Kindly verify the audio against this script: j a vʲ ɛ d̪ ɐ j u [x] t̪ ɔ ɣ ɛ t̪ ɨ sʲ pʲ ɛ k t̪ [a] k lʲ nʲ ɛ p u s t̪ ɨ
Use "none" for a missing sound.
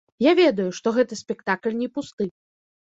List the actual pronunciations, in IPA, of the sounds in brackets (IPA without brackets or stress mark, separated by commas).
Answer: ʂ, a